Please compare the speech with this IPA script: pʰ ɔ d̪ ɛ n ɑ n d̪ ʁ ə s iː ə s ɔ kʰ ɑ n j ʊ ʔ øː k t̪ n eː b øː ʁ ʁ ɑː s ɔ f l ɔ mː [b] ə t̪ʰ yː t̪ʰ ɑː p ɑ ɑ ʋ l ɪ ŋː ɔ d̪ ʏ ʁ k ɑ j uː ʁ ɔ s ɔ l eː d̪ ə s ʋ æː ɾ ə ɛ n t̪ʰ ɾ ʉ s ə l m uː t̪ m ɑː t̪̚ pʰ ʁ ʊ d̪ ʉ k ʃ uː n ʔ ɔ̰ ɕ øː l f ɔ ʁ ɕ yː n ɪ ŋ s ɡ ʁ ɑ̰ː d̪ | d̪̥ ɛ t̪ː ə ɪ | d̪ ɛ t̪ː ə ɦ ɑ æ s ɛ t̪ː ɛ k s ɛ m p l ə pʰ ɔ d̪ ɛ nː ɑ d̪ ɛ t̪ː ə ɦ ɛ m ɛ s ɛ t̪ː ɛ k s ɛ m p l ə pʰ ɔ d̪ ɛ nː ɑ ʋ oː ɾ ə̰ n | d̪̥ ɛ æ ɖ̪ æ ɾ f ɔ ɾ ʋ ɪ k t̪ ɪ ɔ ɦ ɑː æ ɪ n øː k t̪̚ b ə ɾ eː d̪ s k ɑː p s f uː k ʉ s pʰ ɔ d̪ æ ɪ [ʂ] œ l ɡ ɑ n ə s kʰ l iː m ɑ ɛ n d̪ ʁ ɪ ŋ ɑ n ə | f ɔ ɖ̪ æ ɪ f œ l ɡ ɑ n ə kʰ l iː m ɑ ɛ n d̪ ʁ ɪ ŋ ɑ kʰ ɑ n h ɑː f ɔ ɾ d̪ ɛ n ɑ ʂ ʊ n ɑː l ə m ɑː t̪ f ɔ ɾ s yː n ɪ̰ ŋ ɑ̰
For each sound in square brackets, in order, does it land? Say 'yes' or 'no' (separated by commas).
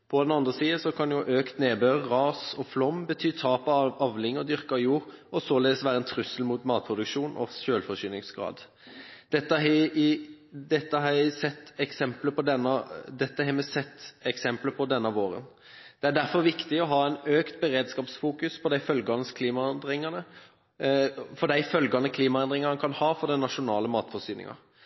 yes, no